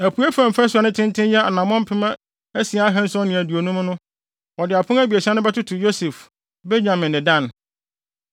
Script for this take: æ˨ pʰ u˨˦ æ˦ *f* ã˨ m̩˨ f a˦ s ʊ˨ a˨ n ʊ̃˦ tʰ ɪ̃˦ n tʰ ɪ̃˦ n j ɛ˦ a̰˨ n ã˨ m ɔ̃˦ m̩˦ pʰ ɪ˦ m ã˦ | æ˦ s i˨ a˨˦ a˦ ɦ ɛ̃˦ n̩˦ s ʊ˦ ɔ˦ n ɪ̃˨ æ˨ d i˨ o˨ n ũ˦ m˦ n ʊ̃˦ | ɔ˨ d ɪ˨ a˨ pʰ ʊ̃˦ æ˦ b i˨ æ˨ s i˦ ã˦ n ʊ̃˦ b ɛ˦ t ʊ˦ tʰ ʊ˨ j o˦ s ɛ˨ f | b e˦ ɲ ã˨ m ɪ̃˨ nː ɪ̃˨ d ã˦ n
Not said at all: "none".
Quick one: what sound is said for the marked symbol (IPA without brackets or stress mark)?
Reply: f